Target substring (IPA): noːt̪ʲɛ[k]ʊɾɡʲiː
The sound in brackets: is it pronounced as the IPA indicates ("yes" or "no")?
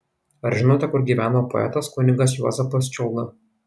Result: yes